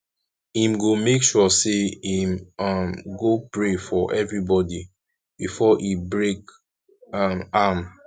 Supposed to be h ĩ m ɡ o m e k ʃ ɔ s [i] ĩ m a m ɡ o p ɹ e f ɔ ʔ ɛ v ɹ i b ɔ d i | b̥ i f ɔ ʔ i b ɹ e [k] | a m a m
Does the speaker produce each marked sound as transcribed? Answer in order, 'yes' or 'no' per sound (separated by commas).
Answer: no, yes